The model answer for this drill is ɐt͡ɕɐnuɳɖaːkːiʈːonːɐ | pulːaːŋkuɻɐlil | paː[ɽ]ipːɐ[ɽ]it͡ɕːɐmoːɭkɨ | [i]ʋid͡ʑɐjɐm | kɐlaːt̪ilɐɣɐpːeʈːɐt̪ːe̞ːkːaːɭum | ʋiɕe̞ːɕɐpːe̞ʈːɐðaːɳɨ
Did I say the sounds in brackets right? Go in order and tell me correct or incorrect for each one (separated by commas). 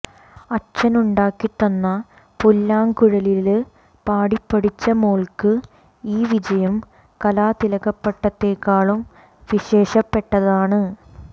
correct, correct, incorrect